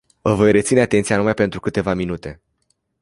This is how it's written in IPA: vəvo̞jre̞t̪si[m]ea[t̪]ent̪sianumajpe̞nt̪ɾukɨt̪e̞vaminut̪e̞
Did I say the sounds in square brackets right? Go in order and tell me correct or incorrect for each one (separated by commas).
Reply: incorrect, correct